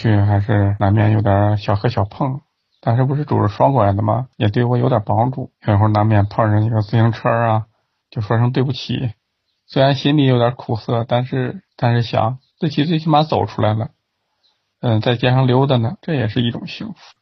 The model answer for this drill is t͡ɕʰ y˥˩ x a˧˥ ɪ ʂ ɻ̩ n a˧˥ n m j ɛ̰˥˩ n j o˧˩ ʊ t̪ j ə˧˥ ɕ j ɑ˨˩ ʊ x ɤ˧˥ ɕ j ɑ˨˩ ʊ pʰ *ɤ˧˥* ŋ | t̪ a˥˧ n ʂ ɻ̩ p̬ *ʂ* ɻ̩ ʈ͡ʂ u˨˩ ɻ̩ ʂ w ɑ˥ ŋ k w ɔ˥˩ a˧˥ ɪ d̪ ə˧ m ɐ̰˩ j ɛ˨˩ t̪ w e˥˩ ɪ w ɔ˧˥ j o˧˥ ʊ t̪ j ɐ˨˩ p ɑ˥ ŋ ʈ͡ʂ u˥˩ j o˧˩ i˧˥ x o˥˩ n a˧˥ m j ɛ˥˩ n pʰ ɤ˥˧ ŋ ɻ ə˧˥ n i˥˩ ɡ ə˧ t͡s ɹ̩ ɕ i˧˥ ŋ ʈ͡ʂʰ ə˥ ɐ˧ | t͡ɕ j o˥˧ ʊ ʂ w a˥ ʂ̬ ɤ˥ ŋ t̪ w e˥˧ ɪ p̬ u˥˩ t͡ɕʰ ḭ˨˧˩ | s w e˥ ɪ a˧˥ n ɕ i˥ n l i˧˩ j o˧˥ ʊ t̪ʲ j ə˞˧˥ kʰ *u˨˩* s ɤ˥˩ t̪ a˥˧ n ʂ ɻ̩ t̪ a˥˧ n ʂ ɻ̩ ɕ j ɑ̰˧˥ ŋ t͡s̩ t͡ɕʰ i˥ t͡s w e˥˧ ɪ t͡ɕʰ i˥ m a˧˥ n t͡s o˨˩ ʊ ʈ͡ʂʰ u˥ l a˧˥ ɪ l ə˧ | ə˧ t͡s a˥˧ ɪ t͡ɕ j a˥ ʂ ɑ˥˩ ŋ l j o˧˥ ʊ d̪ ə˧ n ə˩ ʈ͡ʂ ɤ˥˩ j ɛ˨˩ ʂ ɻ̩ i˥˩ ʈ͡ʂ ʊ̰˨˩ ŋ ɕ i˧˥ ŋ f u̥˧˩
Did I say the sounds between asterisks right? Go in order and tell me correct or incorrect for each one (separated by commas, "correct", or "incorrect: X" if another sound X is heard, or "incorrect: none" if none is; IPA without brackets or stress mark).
incorrect: ɤ˥˩, correct, correct